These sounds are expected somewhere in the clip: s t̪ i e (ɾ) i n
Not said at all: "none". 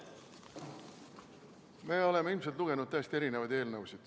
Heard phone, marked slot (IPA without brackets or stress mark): ɾ